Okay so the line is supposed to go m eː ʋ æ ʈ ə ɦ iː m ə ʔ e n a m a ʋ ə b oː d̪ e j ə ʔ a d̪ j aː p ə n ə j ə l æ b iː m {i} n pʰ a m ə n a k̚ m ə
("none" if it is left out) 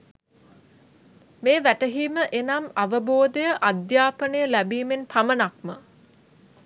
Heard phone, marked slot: e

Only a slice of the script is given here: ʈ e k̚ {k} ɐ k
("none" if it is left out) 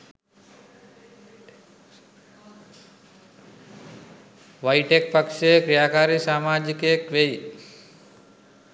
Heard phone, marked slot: p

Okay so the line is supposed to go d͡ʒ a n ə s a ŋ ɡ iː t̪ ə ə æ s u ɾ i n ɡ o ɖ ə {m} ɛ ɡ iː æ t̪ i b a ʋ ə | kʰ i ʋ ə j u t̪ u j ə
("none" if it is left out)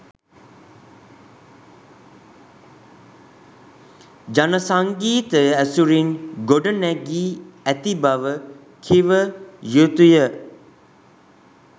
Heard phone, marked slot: n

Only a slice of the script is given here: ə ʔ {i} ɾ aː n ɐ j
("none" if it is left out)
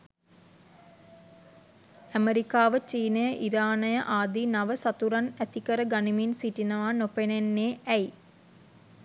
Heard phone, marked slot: i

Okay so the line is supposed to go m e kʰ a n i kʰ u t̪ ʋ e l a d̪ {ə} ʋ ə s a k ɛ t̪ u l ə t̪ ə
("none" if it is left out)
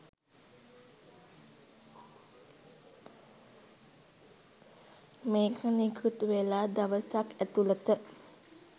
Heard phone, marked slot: a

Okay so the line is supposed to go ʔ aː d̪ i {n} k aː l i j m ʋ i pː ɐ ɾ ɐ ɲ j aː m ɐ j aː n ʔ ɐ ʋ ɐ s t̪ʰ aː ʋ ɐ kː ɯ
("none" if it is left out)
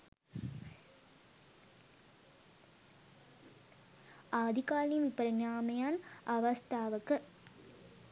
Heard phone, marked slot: none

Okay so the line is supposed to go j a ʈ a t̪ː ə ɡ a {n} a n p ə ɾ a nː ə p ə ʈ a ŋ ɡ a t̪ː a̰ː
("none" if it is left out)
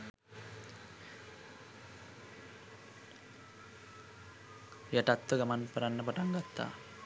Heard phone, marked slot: m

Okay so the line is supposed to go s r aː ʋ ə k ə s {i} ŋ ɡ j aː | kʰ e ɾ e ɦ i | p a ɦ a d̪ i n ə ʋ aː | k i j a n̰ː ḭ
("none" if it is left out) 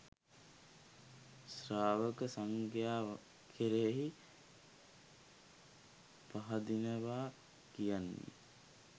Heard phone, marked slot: a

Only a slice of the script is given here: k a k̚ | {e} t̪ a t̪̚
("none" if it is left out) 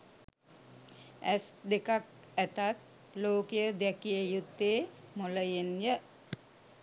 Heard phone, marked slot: æ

